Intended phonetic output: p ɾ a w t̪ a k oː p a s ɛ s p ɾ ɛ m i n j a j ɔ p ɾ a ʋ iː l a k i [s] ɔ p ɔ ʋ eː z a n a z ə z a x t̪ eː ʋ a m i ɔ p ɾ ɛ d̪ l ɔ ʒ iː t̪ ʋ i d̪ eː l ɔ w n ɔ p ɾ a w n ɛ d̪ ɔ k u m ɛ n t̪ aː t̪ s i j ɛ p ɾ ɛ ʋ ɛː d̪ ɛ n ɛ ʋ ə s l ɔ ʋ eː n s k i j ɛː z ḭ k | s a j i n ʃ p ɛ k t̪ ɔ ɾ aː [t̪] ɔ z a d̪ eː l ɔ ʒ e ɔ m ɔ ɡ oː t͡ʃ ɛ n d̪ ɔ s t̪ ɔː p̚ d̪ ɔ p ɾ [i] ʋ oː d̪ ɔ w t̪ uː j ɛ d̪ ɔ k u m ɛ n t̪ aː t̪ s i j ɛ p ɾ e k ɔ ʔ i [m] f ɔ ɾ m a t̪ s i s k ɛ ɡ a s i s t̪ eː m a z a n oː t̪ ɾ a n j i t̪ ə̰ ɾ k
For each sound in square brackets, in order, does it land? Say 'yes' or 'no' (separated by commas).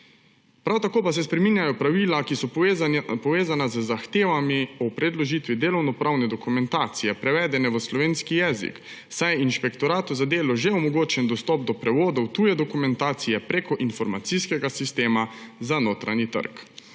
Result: yes, yes, no, no